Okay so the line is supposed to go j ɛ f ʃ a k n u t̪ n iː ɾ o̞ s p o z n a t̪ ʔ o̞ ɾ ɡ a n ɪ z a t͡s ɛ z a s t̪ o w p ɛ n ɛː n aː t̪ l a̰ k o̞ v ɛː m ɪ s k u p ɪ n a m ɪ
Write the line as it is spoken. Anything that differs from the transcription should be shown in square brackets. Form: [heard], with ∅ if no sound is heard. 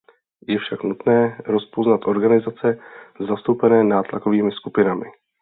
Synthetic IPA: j ɛ f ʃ a k n u t̪ n [ɛː] ɾ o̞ s p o z n a t̪ ʔ o̞ ɾ ɡ a n ɪ z a t͡s ɛ z a s t̪ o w p ɛ n ɛː n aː t̪ l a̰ k o̞ v [iː] m ɪ s k u p ɪ n a m ɪ